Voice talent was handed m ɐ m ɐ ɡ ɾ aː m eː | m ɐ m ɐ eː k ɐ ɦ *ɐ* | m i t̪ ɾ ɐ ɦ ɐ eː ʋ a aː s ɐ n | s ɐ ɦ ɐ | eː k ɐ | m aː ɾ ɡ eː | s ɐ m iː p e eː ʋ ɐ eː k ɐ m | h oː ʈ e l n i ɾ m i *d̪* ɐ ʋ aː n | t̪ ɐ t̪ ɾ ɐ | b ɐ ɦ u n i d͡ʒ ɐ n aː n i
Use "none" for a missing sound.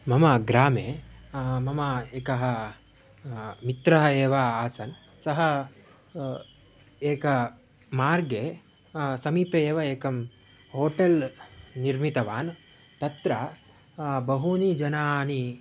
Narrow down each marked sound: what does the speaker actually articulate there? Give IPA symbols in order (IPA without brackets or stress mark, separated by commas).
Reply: ɐ, t̪